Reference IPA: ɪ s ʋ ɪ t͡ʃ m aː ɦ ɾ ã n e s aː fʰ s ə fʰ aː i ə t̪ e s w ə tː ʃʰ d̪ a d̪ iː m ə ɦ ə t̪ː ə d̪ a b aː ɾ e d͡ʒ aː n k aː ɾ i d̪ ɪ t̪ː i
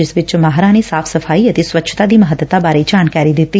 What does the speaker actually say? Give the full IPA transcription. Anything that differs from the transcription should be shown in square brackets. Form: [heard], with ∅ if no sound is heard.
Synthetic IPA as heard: ɪ s ʋ ɪ t͡ʃ m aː ɦ ɾ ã n e s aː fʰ s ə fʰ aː i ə t̪ e s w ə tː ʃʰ [t̪] a d̪ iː m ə ɦ ə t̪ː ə [t̪] a b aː ɾ e d͡ʒ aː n k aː ɾ i d̪ ɪ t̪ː i